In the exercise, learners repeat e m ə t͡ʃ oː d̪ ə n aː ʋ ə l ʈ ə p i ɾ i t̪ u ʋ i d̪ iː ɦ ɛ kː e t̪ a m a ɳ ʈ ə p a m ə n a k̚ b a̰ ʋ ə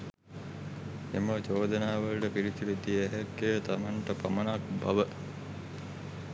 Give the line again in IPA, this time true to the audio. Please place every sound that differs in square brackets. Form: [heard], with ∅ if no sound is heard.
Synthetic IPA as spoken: e m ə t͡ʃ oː d̪ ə n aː ʋ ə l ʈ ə p i ɾ i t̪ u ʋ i d̪ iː ɦ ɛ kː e t̪ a m a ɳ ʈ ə p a m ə n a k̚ b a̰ ʋ ə